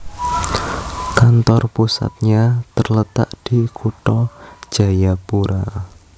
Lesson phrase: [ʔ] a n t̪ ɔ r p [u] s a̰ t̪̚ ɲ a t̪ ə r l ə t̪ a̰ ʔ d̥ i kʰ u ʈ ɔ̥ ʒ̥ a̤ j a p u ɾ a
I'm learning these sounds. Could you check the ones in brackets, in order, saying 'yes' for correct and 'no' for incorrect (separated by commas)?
no, yes